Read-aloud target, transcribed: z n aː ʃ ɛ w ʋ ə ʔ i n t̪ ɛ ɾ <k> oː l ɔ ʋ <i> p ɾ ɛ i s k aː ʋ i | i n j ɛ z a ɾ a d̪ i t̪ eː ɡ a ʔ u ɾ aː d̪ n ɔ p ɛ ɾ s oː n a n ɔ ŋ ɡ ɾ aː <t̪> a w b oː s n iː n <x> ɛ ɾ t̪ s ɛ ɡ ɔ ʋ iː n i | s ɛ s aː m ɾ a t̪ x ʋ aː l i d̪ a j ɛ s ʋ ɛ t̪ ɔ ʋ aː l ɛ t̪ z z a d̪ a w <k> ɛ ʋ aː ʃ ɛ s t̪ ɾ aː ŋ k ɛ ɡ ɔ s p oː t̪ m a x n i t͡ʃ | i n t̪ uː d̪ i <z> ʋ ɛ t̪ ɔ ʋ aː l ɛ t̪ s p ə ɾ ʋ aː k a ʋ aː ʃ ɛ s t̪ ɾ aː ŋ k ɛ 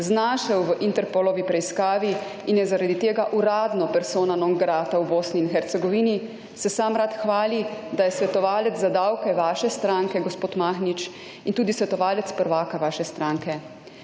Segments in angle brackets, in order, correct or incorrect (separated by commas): incorrect, correct, correct, correct, correct, incorrect